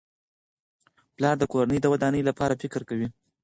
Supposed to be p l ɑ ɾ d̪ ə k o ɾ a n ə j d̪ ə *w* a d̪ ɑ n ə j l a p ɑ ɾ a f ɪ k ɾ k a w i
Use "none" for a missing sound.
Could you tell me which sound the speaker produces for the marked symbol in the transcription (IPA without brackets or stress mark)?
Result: w